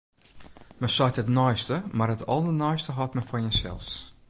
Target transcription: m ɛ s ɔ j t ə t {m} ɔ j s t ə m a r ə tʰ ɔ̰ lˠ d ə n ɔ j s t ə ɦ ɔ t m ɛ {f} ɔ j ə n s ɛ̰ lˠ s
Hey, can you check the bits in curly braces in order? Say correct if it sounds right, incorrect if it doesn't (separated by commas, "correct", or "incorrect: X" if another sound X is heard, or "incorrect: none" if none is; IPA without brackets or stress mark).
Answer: incorrect: n, correct